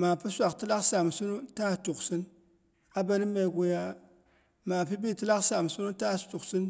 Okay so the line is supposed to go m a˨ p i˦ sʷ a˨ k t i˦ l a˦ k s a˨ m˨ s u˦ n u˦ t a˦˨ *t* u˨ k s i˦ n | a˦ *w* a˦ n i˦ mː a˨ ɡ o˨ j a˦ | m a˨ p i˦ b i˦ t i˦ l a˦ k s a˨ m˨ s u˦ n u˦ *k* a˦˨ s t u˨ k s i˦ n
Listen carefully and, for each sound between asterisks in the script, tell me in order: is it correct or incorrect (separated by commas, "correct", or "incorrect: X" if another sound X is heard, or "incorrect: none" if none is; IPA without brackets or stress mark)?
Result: correct, incorrect: b, incorrect: t